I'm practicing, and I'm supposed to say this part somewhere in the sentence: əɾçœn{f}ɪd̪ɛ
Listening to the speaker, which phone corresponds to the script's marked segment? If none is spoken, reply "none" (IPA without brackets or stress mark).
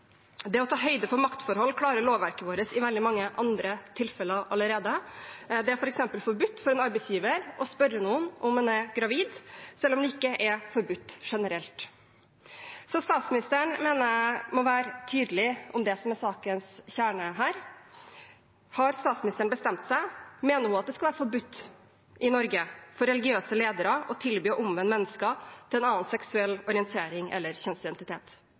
s